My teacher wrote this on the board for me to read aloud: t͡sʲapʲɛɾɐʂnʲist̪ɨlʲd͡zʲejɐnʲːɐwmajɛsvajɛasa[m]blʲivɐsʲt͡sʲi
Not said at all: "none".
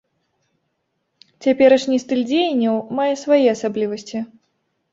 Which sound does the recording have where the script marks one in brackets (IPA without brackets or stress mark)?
none